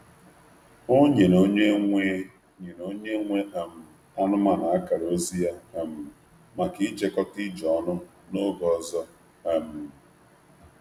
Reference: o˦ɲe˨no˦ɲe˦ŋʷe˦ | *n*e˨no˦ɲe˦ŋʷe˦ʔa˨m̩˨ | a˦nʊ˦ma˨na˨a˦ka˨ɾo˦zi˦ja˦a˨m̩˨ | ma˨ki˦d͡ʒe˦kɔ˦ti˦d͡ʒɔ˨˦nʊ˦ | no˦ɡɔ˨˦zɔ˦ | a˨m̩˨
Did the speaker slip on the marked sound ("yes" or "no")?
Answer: yes